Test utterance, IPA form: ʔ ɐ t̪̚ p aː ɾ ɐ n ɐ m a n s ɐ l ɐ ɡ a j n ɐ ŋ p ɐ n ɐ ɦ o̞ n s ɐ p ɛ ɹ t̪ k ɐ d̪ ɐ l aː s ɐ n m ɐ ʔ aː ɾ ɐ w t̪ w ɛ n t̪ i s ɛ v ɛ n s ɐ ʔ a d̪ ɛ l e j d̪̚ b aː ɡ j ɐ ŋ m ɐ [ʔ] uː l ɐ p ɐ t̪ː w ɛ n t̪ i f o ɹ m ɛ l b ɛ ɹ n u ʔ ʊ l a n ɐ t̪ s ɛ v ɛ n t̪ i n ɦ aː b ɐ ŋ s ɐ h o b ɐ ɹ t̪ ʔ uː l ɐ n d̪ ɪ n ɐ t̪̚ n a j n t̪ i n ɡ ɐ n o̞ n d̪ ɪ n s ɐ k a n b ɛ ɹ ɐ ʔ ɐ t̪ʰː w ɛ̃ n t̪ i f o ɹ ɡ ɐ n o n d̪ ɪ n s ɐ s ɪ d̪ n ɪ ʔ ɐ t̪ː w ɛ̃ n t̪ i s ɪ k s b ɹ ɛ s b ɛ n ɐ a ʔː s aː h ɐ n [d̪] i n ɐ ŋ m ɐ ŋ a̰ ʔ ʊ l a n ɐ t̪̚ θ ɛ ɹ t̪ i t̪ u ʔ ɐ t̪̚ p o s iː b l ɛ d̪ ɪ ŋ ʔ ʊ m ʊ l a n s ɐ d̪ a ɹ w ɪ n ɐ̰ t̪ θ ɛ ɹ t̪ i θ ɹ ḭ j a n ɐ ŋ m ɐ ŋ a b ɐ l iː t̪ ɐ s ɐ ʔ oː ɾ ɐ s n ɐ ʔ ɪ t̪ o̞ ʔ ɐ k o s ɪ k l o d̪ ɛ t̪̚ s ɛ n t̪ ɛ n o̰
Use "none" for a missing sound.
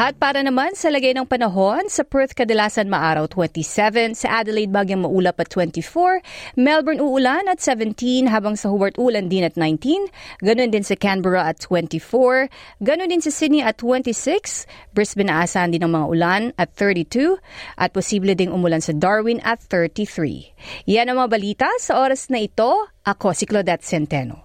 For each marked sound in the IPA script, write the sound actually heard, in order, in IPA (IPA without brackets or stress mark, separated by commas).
ʔ, d̪